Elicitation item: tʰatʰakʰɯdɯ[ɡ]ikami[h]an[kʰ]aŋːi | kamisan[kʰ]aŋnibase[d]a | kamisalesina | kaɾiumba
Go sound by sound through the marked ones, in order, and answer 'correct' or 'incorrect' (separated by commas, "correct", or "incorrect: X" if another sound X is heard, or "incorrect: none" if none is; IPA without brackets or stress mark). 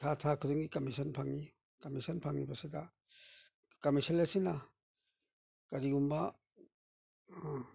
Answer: incorrect: ŋ, incorrect: s, incorrect: pʰ, incorrect: pʰ, correct